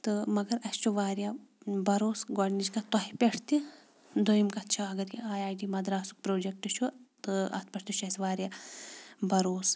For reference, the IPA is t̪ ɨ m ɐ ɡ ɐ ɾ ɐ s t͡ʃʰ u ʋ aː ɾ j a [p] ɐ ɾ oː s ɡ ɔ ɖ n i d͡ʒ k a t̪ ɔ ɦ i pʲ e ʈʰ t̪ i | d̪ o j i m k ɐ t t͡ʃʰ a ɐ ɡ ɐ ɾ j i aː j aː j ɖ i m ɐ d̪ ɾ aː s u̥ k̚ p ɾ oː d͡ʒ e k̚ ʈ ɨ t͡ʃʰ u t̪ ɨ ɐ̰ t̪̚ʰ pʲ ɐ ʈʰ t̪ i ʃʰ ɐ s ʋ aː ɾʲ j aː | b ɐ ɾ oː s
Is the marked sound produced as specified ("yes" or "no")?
no